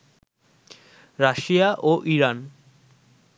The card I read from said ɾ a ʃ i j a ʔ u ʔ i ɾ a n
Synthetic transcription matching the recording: ɾ a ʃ i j a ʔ o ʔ i ɾ a n